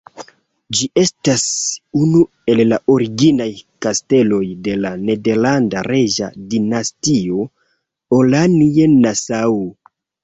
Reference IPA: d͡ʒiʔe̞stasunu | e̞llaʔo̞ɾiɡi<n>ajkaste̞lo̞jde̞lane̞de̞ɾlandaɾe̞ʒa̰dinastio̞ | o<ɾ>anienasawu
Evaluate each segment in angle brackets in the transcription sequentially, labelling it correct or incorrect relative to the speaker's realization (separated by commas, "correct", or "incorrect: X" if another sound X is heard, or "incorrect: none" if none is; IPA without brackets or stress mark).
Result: correct, incorrect: l